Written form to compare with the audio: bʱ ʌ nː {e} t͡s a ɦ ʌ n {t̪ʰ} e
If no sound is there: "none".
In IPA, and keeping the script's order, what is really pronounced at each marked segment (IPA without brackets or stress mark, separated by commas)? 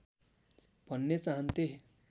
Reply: e, t̪